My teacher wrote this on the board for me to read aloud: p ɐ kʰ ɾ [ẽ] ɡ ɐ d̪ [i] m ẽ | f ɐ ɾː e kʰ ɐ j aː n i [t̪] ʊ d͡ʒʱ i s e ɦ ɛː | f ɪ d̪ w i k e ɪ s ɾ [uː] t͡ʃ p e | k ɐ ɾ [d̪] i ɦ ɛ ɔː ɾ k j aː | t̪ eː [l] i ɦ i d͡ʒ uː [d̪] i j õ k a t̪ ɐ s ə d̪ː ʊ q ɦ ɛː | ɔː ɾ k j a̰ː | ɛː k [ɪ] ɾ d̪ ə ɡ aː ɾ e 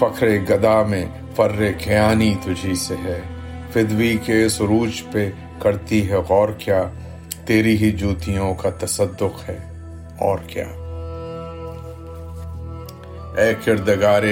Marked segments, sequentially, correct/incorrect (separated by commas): incorrect, incorrect, correct, correct, incorrect, incorrect, incorrect, correct